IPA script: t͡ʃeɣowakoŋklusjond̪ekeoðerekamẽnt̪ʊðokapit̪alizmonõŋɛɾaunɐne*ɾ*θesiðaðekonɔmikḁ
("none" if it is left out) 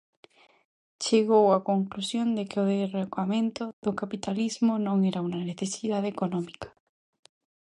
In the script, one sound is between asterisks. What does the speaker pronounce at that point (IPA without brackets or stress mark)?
none